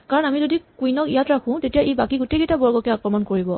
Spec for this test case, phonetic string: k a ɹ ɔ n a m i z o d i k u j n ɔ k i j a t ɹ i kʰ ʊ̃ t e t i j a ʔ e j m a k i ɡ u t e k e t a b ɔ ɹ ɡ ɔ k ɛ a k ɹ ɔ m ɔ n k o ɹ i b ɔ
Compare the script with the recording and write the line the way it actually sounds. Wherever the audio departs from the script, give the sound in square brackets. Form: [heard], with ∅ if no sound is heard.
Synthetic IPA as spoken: k a ɹ ɔ n a m i z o d i k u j n ɔ k i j a t ɹ [a] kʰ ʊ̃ t e t i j a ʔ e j [b] a k i ɡ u t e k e t a b ɔ ɹ ɡ ɔ k ɛ a k ɹ ɔ m ɔ n k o ɹ i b ɔ